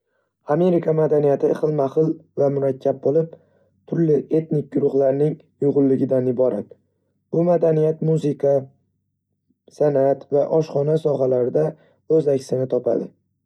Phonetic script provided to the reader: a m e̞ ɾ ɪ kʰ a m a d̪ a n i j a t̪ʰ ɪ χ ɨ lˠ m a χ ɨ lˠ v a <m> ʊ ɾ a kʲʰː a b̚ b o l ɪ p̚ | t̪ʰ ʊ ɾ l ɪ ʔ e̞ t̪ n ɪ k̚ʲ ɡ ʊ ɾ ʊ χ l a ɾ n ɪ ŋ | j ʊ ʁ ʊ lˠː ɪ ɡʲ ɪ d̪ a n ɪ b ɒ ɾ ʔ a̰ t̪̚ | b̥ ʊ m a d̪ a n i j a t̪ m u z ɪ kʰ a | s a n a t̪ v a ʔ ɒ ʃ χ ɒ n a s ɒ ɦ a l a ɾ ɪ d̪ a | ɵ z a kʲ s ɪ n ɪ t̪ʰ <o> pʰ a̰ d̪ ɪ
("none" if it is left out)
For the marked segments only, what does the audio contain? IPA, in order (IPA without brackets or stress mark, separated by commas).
m, ɒ